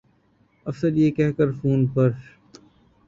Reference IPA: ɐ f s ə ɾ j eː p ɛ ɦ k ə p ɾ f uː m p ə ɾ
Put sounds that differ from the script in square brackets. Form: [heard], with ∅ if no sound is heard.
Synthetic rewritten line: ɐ f s ə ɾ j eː [k] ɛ ɦ k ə [∅] ɾ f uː [n] p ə ɾ